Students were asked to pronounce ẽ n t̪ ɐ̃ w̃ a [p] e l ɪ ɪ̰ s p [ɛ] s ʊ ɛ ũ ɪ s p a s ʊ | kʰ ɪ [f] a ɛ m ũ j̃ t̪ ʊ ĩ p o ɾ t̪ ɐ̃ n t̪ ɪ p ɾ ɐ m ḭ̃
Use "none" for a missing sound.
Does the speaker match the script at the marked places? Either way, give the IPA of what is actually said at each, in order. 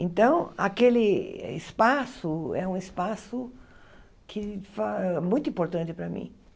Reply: k, a, f

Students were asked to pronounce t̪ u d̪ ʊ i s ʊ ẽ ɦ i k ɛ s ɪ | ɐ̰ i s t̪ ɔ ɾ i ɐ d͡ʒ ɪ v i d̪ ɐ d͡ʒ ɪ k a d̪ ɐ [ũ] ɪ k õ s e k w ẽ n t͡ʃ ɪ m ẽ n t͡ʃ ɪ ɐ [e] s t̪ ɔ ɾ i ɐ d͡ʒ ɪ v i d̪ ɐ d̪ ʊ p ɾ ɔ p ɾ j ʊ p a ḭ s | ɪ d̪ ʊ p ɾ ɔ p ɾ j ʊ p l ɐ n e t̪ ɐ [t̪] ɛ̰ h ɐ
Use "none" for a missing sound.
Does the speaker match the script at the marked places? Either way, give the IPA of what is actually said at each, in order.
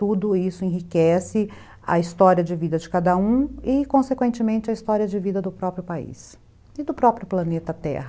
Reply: ũ, i, t̪

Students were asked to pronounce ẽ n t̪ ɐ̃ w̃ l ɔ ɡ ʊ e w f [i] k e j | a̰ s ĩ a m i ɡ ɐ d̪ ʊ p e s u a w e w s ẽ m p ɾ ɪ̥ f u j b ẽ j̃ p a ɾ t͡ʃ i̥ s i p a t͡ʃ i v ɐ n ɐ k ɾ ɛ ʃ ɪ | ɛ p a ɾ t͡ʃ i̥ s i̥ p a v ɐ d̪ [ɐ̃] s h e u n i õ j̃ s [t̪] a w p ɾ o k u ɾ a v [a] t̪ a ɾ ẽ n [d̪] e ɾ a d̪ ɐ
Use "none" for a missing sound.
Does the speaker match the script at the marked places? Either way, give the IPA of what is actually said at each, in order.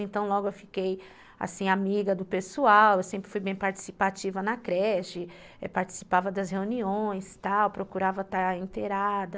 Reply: i, ɐ, t̪, ɐ, t̪

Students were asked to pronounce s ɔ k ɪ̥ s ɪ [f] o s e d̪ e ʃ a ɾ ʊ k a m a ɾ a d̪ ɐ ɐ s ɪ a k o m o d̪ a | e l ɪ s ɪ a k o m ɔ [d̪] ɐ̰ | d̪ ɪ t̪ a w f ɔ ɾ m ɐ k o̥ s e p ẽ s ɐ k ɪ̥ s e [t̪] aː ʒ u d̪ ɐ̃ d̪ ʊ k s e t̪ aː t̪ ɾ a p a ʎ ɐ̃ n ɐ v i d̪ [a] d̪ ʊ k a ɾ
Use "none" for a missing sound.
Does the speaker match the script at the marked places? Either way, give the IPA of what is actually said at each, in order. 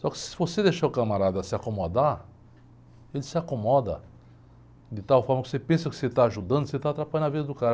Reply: v, d̪, t̪, ɐ

